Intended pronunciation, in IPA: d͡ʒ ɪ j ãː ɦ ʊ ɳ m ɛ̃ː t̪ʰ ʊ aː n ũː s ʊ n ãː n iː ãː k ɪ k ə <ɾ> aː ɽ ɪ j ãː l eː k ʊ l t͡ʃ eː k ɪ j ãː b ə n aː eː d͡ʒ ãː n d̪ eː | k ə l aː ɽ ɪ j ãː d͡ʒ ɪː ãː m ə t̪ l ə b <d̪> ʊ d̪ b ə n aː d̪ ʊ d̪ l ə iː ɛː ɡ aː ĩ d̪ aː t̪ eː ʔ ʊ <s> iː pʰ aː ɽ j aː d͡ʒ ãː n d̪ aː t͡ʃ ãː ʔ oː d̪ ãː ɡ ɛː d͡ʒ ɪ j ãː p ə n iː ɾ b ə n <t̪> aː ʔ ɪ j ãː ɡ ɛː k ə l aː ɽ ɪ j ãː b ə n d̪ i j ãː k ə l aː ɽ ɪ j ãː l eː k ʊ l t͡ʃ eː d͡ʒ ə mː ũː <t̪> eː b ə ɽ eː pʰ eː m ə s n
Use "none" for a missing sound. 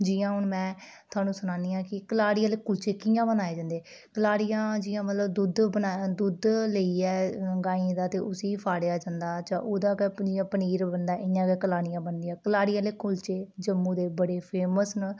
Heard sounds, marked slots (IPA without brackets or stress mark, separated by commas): l, d̪, s, d̪, d̪